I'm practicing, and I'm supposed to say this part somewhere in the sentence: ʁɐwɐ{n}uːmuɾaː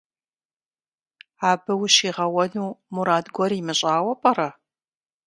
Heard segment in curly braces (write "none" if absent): n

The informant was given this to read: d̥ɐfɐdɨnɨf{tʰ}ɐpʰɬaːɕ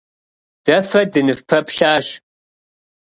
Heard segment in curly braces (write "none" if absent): pʰ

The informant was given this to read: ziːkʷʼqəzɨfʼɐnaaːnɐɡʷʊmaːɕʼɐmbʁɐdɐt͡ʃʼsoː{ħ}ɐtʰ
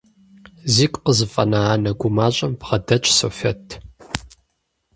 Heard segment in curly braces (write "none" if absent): f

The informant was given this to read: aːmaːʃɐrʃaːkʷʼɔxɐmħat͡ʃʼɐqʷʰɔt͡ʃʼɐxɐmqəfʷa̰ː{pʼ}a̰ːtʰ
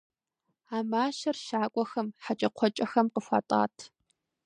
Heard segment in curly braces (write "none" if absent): tʼ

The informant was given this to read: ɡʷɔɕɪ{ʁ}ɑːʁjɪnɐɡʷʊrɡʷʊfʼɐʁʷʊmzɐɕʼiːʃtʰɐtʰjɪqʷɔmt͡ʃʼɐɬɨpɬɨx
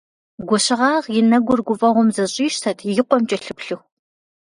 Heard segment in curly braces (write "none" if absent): ʁ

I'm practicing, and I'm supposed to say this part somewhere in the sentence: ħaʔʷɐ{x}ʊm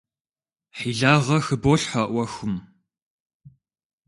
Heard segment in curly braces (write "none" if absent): x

